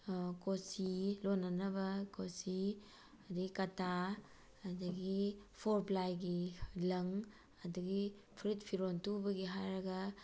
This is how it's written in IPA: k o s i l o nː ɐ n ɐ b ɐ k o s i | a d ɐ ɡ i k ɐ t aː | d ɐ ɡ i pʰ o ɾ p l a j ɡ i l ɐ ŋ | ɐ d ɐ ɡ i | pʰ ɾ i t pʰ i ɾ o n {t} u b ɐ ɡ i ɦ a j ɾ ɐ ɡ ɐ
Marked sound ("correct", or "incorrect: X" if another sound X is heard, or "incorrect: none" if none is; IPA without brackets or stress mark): correct